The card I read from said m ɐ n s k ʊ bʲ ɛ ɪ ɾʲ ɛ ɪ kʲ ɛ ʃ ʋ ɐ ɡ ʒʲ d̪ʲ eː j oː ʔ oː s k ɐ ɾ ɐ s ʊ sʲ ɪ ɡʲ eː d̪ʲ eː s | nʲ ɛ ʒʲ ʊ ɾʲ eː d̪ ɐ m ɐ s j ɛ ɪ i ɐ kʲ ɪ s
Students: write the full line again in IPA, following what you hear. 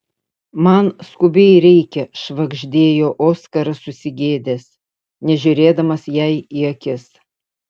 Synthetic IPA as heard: m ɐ n s k ʊ bʲ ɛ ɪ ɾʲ ɛ ɪ kʲ ɛ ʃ ʋ ɐ ɡ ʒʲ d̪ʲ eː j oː ʔ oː s k ɐ ɾ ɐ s ʊ sʲ ɪ ɡʲ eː d̪ʲ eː s | nʲ ɛ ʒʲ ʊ ɾʲ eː d̪ ɐ m ɐ s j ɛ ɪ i ɐ kʲ ɪ s